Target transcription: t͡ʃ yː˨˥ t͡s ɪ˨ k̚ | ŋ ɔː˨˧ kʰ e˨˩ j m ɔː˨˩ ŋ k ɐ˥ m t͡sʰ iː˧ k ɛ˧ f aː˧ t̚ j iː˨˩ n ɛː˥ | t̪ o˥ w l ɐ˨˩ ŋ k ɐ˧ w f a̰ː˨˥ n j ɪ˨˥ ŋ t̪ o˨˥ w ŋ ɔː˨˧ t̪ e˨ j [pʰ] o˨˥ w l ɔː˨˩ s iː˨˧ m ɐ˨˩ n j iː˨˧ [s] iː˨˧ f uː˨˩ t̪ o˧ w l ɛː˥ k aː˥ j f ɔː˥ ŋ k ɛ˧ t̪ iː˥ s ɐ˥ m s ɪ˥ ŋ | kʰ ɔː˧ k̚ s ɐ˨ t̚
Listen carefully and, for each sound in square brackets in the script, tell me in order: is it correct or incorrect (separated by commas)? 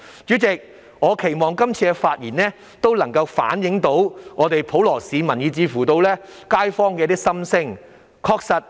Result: correct, incorrect